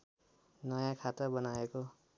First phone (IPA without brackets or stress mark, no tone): n